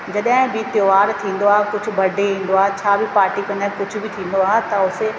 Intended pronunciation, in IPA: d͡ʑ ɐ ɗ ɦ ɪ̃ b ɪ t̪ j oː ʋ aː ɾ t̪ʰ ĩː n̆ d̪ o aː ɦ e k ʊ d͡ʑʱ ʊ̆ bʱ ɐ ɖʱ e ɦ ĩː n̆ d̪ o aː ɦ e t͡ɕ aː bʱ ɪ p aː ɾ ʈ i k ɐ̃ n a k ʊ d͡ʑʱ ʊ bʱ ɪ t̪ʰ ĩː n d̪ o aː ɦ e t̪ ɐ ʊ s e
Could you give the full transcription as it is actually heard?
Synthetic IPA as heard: d͡ʑ ɐ ɗ ɦ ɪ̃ b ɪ t̪ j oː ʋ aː ɾ t̪ʰ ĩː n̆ d̪ o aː ɦ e k ʊ d͡ʑʱ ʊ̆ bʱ ɐ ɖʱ e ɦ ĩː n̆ d̪ o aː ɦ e t͡ɕʰ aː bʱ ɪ p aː ɾ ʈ i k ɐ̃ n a k ʊ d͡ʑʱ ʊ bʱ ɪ t̪ʰ ĩː n d̪ o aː ɦ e t̪ ɐ ʊ s e